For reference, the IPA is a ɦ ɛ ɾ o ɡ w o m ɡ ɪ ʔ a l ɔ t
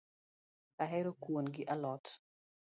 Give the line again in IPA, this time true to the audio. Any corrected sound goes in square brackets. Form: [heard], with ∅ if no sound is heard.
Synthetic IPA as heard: a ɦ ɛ ɾ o [k] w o [n] ɡ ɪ ʔ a l ɔ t